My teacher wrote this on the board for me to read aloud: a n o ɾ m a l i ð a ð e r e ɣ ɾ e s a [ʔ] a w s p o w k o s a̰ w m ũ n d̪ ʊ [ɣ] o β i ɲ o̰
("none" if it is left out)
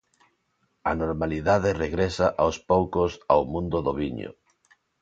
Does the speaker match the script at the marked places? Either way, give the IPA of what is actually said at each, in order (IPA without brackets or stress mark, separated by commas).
ʔ, ð